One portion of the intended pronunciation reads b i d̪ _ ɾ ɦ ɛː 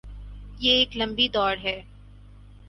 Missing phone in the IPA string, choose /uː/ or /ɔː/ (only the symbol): ɔː